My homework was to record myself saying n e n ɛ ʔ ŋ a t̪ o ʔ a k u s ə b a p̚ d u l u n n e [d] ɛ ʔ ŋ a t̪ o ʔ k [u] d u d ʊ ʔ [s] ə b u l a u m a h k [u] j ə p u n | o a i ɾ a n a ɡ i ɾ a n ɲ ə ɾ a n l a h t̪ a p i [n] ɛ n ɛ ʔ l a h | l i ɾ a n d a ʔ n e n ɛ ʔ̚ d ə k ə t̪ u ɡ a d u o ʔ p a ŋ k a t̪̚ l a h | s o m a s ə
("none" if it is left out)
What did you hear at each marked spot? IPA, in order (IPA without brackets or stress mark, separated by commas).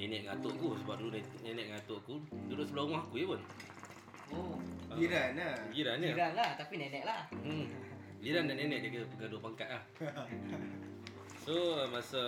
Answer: n, u, s, u, n